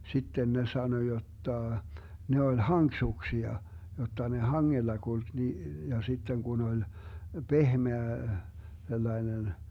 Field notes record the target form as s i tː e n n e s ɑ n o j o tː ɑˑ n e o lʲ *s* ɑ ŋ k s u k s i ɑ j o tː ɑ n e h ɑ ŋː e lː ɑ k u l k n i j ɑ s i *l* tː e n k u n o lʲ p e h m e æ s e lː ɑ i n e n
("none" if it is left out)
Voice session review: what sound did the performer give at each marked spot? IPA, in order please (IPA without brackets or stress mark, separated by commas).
h, none